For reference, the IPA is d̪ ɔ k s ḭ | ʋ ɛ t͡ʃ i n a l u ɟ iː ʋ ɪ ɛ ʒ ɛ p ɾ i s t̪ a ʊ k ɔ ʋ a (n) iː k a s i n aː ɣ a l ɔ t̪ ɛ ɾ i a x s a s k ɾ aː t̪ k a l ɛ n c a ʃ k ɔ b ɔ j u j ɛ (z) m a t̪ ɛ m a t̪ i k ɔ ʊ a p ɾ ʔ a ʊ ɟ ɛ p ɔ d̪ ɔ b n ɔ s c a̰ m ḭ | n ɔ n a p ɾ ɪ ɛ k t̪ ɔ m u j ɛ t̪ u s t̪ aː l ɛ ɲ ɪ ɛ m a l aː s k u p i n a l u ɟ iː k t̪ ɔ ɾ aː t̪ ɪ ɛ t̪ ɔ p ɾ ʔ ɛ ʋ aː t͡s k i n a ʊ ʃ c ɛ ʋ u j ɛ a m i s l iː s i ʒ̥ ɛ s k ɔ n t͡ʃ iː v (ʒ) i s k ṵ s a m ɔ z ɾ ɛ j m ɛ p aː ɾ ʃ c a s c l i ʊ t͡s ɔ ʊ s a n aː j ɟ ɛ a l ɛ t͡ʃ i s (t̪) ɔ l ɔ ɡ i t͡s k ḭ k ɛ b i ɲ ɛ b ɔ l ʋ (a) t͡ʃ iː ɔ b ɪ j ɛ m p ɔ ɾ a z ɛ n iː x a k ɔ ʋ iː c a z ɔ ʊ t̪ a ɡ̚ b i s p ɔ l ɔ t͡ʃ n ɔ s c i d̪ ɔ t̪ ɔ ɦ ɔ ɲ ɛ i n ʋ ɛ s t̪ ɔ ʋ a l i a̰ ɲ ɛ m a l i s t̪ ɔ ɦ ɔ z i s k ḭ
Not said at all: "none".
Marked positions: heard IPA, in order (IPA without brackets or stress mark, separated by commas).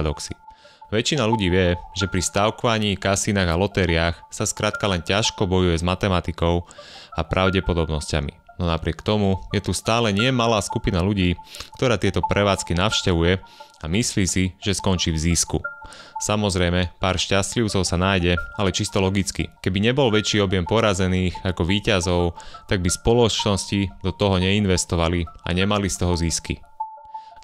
ɲ, z, z, t̪, ɛ